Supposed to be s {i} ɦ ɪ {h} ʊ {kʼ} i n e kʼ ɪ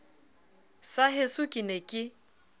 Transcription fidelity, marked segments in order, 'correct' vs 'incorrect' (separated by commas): incorrect, incorrect, correct